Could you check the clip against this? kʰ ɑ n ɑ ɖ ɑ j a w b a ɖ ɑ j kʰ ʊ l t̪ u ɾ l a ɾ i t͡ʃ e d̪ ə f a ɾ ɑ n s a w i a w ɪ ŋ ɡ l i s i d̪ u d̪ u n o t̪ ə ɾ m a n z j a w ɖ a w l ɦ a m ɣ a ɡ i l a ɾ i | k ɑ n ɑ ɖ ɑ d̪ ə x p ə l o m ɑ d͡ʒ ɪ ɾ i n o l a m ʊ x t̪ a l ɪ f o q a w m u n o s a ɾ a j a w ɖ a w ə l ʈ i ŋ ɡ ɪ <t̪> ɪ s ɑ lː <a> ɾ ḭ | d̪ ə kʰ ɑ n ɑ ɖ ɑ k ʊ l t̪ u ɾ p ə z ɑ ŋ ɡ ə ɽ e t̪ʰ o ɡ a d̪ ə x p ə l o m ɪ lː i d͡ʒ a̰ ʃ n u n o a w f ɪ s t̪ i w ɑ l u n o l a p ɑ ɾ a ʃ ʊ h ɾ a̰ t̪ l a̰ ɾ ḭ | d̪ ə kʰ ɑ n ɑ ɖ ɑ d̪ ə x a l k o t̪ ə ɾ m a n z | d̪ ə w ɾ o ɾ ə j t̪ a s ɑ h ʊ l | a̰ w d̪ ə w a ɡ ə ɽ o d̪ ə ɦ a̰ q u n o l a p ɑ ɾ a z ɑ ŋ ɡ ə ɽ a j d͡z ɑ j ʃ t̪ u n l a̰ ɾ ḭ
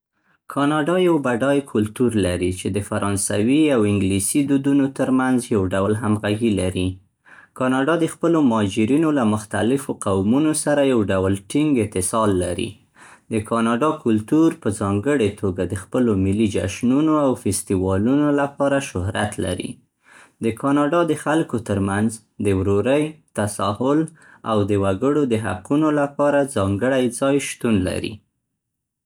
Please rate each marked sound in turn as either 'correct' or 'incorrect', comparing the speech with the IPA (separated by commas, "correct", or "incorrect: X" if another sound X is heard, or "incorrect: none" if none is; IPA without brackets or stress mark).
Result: correct, correct